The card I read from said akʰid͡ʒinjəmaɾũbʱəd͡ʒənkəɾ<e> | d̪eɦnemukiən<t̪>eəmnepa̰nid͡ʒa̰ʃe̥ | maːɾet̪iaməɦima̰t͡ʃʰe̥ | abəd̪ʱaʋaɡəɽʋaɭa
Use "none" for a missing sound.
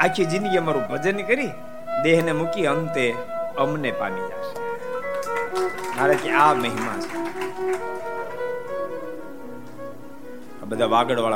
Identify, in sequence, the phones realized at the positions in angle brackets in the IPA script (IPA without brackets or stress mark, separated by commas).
i, t̪